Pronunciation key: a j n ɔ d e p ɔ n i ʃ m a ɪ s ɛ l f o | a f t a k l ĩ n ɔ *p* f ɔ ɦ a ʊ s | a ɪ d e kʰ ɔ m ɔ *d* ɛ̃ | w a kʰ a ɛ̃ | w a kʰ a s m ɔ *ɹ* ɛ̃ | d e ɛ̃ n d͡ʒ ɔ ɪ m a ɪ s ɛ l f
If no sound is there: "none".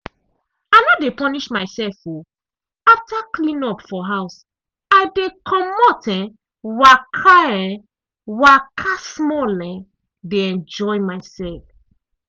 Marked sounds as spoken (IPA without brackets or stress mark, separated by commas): p, t, l